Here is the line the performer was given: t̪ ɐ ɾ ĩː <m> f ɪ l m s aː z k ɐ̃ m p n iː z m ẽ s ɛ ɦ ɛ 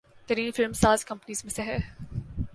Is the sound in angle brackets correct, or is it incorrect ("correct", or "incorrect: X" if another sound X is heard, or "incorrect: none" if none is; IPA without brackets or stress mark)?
incorrect: n